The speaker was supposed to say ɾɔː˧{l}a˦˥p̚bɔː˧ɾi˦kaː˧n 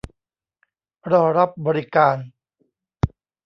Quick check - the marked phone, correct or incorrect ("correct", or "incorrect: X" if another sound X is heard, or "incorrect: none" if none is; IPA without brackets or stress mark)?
incorrect: ɾ